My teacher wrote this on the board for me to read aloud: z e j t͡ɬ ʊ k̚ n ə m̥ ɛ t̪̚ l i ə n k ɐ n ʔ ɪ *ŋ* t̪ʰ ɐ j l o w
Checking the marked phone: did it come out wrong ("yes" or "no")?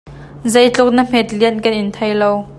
yes